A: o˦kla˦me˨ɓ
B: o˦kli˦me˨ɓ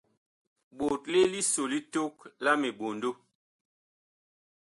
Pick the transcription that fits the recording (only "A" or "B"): A